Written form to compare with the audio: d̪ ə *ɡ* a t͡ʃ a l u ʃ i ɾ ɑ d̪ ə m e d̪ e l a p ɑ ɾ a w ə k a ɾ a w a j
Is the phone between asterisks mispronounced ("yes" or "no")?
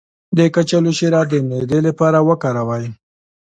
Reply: yes